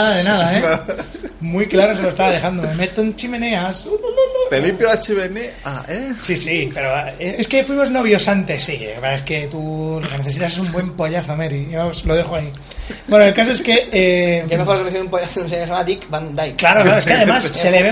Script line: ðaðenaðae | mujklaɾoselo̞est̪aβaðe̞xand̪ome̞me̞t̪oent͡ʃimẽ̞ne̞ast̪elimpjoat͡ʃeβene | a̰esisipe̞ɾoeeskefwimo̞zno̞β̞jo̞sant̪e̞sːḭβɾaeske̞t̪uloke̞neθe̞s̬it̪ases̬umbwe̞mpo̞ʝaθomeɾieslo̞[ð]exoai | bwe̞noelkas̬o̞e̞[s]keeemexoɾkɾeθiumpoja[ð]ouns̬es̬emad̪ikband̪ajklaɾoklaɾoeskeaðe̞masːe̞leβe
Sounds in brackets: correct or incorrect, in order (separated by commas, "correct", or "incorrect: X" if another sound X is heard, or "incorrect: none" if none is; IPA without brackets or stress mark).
correct, correct, incorrect: θ